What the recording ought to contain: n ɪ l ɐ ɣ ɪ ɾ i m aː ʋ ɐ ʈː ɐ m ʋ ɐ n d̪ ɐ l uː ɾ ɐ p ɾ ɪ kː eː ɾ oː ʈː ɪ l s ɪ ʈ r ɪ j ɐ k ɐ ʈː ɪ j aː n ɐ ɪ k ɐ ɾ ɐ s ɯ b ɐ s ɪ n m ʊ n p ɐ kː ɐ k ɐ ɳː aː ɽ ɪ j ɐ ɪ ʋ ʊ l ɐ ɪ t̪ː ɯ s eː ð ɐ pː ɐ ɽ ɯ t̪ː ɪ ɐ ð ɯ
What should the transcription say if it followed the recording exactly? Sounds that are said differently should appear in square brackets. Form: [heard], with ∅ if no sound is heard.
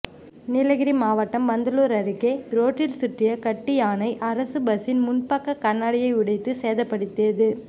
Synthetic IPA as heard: n ɪ l ɐ ɣ ɪ ɾ i m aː ʋ ɐ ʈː ɐ m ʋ ɐ n d̪ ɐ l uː ɾ ɐ [∅] ɾ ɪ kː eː ɾ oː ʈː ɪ l s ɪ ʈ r ɪ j ɐ k ɐ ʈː ɪ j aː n ɐ ɪ [ʔ] ɐ ɾ ɐ s ɯ b ɐ s ɪ n m ʊ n p ɐ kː ɐ k ɐ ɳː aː ɽ ɪ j ɐ ɪ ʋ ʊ [ɽ] ɐ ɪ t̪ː ɯ s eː ð ɐ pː ɐ ɽ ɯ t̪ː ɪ ɐ ð ɯ